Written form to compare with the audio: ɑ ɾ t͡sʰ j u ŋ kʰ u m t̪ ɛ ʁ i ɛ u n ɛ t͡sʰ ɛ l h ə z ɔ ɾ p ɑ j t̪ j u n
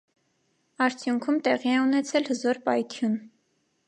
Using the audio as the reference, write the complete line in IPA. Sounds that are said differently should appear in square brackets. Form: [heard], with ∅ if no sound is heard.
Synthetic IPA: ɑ ɾ t͡sʰ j u ŋ kʰ u m t̪ ɛ ʁ i ɛ u n ɛ t͡sʰ ɛ l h ə z ɔ ɾ p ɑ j [t̪ʰ] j u n